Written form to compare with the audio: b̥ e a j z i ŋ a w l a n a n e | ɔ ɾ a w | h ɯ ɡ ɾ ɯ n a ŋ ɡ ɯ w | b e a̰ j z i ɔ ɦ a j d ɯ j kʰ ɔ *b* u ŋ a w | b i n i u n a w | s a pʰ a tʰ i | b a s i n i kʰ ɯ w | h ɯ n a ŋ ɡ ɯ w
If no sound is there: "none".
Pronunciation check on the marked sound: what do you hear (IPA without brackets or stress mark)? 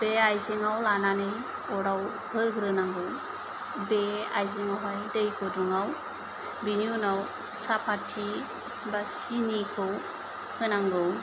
d